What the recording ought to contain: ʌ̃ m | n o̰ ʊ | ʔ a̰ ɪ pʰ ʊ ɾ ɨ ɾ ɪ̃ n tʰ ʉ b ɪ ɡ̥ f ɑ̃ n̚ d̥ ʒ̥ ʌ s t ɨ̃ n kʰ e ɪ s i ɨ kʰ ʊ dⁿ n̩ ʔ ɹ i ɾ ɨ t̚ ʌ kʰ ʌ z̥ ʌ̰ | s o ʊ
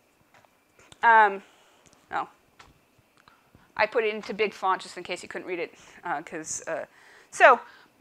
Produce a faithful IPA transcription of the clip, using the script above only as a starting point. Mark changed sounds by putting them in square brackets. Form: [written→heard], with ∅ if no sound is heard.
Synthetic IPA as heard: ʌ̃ m | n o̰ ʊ | ʔ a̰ ɪ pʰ ʊ ɾ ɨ ɾ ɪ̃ n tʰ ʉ b ɪ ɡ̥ f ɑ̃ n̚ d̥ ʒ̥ ʌ s t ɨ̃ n kʰ e ɪ s [i→j] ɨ kʰ ʊ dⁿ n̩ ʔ ɹ i ɾ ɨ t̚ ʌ kʰ ʌ z̥ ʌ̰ | s o ʊ